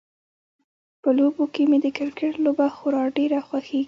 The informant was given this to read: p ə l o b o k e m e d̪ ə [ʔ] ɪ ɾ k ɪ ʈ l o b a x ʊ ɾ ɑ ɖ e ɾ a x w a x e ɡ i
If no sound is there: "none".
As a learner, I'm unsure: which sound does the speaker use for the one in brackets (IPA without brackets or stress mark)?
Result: k